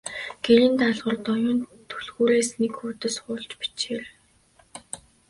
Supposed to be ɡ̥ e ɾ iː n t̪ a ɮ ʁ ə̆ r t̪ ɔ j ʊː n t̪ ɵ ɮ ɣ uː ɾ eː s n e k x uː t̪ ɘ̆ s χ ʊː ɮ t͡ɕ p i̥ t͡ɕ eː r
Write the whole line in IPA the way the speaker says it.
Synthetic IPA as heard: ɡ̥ e ɾ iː n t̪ a ɮ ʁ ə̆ r t̪ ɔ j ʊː n t̪ʰ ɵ ɮ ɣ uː ɾ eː s n e k x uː t̪ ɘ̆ s χ ʊː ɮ t͡ɕ p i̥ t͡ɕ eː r